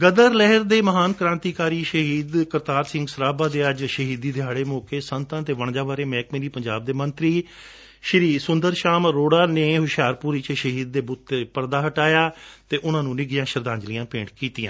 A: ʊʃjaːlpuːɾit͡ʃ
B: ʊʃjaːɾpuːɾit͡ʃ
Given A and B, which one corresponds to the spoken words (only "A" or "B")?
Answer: B